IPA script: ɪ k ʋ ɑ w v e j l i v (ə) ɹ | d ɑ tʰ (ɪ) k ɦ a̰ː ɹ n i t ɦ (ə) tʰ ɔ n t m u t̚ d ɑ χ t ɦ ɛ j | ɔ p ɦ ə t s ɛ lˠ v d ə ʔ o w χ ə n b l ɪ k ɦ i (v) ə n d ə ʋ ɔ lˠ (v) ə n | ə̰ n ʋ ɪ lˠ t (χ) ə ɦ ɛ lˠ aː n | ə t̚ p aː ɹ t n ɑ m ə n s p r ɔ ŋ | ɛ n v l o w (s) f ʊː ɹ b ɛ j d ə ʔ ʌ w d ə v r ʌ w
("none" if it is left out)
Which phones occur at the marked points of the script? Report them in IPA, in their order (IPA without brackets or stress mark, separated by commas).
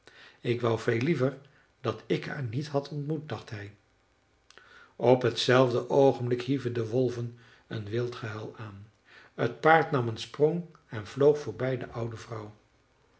ə, ɪ, ɑ, v, v, χ, χ